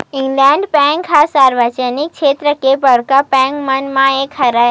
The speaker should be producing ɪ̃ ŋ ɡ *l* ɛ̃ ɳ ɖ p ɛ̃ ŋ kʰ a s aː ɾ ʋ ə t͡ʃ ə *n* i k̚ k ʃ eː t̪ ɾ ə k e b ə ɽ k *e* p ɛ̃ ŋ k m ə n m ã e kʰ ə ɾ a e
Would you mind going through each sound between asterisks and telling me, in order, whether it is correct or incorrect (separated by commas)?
correct, correct, incorrect